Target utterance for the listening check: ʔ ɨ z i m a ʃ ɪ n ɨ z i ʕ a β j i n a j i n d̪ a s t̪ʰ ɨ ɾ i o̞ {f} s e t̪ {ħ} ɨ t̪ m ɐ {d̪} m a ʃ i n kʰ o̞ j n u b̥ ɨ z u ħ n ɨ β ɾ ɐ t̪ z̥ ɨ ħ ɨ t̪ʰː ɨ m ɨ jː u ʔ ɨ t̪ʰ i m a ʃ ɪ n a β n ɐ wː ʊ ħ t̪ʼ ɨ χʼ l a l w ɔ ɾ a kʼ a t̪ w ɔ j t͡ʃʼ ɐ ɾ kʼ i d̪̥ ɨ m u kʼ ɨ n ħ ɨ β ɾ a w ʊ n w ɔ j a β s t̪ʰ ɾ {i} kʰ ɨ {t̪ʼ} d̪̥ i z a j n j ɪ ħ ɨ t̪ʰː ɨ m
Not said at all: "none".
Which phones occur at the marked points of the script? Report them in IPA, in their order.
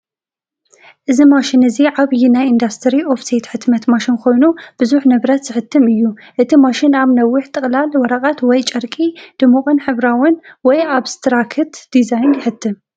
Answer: f, ħ, t̪, a, t̪

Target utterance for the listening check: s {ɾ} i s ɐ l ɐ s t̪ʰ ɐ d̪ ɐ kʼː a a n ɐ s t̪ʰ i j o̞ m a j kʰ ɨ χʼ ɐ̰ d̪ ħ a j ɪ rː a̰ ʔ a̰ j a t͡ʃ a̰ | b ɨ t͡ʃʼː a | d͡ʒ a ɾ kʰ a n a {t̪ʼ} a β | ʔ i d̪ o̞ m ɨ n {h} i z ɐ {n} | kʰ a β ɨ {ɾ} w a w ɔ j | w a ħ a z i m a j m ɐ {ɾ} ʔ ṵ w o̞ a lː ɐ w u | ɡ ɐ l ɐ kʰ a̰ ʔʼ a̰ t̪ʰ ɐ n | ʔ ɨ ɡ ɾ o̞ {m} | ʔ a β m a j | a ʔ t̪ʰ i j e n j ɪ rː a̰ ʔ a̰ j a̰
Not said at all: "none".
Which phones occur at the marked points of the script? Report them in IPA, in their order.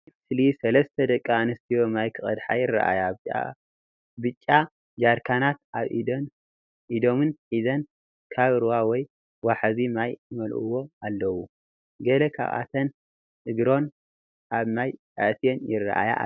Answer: l, t̪, ħ, n, ɾ, l, n

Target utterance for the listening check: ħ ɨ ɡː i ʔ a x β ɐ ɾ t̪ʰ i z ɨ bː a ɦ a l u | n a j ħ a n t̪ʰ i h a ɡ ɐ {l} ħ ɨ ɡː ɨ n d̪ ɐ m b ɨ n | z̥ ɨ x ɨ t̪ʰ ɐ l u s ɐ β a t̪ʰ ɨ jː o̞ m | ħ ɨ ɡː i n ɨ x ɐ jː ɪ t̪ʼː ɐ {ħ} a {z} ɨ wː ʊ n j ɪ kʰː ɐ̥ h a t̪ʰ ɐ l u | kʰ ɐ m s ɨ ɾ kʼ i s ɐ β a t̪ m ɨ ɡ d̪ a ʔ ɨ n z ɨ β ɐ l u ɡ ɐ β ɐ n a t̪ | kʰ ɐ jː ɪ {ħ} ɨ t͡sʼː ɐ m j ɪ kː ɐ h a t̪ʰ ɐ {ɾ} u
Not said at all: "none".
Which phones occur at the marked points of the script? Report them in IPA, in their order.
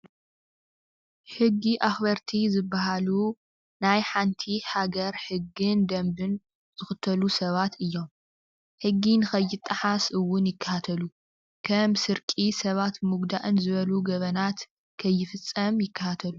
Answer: ɾ, ħ, s, f, l

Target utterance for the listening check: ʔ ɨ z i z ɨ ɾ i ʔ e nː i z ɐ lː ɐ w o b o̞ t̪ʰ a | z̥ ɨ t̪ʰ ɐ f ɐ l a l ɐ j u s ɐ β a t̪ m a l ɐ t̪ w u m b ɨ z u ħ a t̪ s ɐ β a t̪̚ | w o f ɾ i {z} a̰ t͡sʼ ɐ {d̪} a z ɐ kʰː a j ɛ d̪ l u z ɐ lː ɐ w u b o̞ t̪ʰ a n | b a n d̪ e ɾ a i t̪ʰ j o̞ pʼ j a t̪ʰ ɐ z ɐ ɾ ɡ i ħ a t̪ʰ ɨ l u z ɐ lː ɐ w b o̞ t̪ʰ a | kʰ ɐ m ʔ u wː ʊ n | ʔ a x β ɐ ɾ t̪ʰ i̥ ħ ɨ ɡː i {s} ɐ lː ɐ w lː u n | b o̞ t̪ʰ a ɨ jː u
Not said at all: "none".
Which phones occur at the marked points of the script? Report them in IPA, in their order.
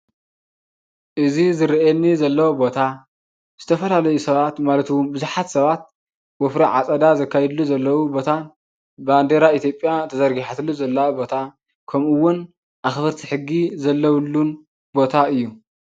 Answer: ʕ, d̪, z

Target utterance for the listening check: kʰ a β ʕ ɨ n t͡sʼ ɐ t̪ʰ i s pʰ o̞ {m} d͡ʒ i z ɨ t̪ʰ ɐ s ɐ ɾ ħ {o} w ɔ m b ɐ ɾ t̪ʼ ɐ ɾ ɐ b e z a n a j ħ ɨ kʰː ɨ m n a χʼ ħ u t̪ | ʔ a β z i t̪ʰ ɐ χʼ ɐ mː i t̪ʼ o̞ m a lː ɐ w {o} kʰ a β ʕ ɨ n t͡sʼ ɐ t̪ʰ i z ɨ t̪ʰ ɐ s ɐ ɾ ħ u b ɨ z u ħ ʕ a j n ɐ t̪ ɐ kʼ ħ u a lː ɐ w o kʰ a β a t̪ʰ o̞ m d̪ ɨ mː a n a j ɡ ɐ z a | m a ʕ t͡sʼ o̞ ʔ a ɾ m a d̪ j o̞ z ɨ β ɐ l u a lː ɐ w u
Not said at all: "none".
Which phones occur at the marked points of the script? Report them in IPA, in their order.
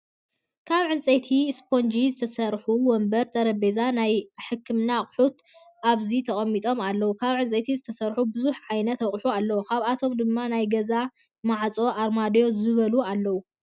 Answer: n, u, u

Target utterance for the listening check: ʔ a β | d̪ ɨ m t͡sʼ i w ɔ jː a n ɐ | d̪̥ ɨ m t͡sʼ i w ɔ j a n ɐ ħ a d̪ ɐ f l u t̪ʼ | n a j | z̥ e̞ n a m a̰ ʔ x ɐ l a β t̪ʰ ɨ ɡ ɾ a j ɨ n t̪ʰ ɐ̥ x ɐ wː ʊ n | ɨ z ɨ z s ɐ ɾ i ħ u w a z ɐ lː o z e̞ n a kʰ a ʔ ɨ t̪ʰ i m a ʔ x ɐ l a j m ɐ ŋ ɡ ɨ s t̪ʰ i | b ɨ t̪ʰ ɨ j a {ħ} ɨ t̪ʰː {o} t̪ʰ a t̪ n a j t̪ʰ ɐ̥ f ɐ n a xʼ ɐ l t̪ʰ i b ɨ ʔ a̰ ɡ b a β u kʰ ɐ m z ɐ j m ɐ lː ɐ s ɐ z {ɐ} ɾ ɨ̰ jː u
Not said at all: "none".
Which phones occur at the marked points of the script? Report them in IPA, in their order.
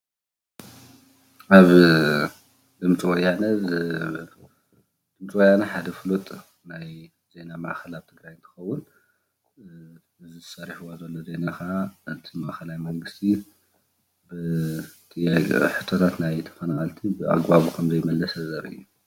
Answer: ħ, o, ɐ

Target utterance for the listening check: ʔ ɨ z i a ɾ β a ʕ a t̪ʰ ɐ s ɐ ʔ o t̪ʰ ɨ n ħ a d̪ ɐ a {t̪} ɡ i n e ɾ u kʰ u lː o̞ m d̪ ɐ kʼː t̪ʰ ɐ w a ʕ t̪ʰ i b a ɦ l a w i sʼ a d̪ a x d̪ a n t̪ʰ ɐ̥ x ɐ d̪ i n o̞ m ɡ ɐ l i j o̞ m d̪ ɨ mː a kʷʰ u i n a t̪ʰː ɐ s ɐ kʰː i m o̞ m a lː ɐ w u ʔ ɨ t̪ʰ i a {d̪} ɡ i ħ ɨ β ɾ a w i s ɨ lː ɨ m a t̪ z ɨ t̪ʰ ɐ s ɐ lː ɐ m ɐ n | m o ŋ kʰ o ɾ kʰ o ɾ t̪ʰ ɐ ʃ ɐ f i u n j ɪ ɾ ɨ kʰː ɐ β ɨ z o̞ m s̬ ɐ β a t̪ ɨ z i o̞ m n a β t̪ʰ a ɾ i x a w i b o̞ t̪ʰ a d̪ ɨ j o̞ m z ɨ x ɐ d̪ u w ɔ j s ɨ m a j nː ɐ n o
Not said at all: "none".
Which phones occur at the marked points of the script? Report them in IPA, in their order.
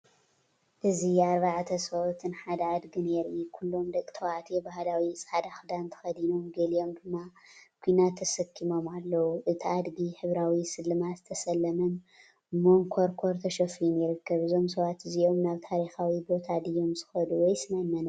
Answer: d̪, d̪

